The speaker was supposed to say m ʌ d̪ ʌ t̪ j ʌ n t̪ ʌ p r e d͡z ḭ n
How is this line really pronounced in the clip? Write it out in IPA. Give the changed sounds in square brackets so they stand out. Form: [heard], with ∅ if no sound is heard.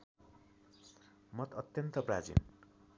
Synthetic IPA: m ʌ [t̪] ʌ t̪ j ʌ n t̪ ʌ p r [a] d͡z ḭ n